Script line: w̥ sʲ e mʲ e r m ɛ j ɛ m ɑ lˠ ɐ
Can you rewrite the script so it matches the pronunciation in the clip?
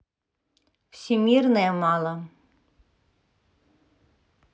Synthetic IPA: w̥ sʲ i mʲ i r n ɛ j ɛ m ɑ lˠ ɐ